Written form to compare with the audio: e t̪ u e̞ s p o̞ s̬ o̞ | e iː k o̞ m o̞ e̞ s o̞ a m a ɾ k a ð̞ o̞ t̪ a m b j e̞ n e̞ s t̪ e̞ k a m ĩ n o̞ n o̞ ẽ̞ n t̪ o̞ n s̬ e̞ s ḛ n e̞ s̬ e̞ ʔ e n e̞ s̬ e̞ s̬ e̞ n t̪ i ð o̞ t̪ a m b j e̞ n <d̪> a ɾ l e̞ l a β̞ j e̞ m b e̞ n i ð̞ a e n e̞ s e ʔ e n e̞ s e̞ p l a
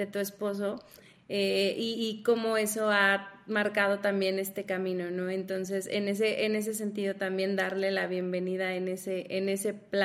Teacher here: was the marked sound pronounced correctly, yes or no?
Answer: yes